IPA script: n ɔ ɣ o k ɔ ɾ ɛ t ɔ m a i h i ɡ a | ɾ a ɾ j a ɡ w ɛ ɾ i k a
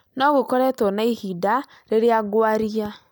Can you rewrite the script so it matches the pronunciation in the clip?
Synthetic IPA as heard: n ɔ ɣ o k ɔ ɾ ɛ t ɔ n a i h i d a | ɾ e ɾ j a ɡ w a ɾ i a